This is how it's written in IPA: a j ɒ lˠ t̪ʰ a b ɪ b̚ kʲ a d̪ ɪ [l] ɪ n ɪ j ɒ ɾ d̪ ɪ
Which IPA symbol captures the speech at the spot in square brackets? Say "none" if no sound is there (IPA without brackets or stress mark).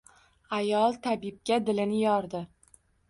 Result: l